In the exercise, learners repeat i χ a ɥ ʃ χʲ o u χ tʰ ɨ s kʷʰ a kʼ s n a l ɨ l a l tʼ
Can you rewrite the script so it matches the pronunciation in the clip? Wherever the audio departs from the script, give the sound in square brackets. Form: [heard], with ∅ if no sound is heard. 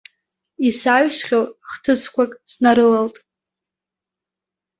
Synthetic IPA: i [s] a ɥ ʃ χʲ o [w] χ tʰ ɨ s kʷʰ a kʼ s n a [ɾ] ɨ l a l tʼ